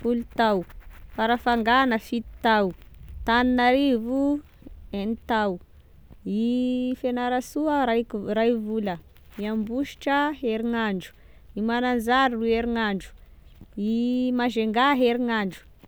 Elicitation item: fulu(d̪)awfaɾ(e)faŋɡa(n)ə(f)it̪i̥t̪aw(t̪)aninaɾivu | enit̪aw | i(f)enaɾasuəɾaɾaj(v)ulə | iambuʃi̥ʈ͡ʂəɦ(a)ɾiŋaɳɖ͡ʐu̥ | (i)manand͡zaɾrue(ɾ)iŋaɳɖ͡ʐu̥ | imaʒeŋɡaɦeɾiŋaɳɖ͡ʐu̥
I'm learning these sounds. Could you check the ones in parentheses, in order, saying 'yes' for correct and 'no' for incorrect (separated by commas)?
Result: no, no, yes, yes, yes, yes, yes, no, yes, yes